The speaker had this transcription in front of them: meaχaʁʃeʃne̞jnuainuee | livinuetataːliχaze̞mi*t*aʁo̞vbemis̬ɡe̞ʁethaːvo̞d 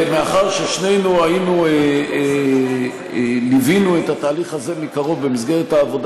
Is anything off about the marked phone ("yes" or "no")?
yes